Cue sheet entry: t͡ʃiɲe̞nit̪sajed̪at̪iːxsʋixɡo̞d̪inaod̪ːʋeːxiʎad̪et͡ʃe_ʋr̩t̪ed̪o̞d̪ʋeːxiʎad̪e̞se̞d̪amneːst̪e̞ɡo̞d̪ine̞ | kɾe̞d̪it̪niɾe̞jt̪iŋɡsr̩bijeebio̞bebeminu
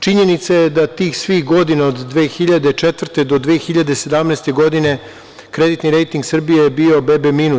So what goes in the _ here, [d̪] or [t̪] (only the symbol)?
t̪